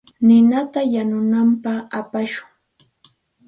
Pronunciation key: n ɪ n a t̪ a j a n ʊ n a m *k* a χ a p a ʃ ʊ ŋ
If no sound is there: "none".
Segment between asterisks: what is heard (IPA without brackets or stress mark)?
p